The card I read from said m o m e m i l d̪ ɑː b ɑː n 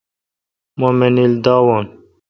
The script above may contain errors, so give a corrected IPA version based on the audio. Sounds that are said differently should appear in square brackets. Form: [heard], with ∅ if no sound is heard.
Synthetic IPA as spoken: m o m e [n] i l d̪ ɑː [w] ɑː n